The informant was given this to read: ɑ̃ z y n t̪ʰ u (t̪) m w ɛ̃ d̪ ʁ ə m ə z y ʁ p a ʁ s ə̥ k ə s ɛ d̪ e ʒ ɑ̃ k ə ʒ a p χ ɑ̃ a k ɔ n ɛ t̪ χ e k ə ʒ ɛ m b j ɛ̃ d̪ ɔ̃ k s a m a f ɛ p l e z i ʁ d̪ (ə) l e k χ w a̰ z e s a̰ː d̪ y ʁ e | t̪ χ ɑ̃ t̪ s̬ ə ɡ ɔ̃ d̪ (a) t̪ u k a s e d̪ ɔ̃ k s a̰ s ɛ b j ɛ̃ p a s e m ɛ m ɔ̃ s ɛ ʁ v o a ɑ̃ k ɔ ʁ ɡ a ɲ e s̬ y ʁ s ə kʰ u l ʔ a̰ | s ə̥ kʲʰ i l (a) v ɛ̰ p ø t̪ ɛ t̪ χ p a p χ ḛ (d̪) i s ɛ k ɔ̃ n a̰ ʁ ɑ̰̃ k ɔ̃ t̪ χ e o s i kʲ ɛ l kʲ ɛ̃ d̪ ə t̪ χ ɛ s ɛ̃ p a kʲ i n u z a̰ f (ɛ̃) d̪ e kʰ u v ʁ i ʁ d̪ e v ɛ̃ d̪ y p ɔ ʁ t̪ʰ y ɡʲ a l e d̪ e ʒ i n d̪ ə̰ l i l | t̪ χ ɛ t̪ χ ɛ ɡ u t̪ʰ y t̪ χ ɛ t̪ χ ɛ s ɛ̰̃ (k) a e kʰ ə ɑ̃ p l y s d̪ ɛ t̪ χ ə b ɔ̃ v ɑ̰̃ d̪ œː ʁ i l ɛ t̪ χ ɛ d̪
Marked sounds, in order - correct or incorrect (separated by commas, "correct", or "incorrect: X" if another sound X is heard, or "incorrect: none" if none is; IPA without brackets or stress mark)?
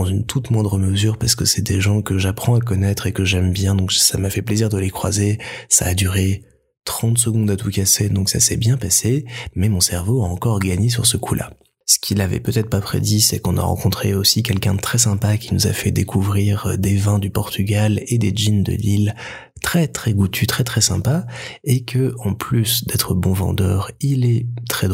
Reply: correct, correct, correct, correct, correct, incorrect: ɛ, incorrect: p